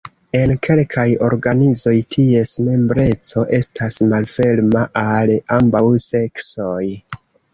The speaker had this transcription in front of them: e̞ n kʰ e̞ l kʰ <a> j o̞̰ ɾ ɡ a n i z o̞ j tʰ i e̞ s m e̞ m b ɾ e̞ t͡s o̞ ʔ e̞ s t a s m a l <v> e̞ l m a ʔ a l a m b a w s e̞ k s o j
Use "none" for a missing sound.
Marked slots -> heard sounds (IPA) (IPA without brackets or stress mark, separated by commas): a, f